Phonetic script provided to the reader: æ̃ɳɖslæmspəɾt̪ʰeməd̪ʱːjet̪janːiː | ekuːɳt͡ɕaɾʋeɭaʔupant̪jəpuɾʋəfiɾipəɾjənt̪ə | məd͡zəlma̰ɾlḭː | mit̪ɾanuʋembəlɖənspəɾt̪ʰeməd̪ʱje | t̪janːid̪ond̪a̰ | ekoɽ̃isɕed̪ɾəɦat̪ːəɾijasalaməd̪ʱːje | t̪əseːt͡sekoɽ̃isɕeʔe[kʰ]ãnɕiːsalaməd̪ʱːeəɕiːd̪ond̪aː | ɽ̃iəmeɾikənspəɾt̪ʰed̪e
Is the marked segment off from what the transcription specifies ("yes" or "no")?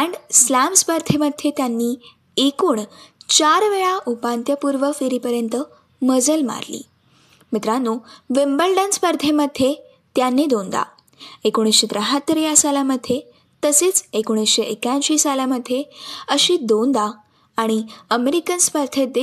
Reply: yes